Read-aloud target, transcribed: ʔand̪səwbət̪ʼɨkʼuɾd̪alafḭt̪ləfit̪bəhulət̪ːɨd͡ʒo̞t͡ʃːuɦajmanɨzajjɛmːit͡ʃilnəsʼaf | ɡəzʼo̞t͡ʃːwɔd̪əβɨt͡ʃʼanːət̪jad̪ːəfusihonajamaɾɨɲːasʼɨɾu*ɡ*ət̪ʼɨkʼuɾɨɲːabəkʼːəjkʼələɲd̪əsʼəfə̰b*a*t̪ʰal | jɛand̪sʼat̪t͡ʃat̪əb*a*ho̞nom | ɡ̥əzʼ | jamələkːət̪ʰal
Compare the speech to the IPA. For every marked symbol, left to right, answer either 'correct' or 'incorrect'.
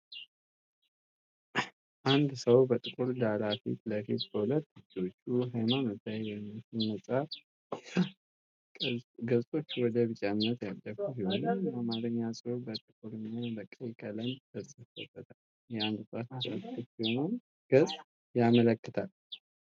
incorrect: b, incorrect: ə, incorrect: i

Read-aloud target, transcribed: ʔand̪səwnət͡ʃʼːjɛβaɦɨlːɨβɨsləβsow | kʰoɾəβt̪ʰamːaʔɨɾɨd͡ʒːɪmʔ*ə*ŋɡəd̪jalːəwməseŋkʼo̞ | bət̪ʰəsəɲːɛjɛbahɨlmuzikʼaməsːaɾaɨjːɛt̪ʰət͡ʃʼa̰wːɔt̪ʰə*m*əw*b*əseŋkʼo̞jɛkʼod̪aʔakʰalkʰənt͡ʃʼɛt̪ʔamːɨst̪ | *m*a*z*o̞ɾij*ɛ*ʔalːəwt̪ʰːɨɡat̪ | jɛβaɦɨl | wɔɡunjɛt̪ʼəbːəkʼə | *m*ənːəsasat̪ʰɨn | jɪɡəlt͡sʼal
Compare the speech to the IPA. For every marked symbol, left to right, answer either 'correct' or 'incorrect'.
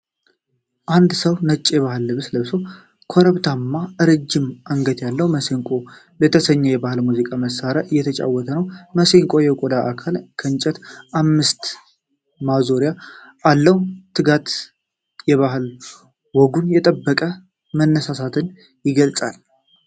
incorrect: a, incorrect: n, incorrect: m, correct, correct, incorrect: a, correct

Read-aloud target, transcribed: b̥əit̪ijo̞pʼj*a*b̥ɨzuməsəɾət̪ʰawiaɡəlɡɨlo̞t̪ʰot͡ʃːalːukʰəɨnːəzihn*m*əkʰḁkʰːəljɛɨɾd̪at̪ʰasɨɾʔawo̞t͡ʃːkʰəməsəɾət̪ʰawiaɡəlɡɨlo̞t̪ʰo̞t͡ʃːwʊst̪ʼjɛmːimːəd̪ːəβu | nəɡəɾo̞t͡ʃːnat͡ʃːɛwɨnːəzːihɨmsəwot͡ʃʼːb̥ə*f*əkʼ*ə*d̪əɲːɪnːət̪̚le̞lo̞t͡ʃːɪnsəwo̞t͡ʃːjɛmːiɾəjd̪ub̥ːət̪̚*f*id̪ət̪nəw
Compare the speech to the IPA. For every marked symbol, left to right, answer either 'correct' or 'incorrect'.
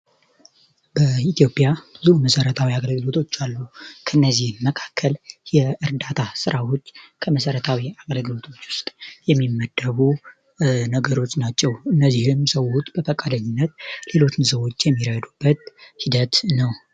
correct, correct, correct, incorrect: a, incorrect: h

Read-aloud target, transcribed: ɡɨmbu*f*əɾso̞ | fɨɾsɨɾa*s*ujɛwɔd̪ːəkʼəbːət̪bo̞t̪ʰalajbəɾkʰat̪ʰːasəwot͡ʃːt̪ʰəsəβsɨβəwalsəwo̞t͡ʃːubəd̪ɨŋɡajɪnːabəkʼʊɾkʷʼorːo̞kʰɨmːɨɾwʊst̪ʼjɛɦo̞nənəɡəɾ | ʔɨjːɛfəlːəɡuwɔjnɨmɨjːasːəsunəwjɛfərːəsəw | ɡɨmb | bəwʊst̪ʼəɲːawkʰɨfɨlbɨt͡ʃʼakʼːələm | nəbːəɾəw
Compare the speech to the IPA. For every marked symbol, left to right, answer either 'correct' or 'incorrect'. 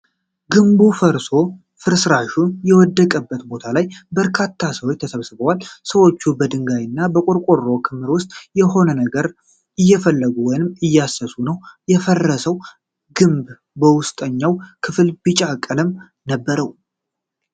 correct, incorrect: ʃ

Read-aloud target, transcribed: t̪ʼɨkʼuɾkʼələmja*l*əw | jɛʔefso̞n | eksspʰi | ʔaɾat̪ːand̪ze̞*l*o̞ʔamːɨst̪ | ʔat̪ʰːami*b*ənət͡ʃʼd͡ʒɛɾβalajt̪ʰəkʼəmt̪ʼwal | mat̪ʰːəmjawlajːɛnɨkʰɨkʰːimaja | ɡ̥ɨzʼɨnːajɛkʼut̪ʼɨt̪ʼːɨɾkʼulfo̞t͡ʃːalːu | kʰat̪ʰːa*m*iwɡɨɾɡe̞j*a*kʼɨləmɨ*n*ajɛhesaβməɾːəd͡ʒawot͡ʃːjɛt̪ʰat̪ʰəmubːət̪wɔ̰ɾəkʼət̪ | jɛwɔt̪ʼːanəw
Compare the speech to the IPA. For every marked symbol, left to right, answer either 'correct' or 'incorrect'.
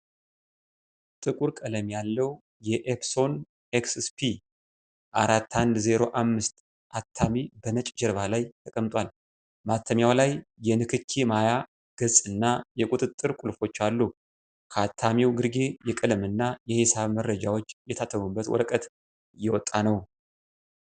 incorrect: lː, incorrect: ɾ, correct, correct, incorrect: ɛ, incorrect: nː

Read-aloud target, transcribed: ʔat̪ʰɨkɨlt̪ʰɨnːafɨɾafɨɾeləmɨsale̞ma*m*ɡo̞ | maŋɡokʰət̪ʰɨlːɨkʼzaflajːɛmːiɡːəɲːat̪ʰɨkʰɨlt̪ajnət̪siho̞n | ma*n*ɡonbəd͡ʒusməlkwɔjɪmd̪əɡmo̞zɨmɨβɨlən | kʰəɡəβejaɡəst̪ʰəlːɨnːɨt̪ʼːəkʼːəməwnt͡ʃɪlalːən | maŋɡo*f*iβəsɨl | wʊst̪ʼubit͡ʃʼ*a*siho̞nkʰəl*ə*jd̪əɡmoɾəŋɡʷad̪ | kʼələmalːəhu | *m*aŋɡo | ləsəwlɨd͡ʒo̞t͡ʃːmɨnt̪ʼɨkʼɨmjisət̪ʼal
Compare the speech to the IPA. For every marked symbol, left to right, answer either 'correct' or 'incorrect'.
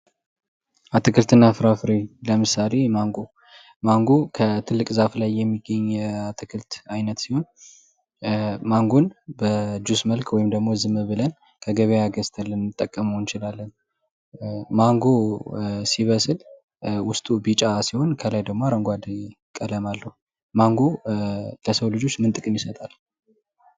incorrect: ŋ, incorrect: ŋ, incorrect: s, correct, incorrect: a, correct

